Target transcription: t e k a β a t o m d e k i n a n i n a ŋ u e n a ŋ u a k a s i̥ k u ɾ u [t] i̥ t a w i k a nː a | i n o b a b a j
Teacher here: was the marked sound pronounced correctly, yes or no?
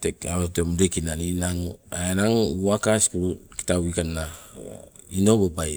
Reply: no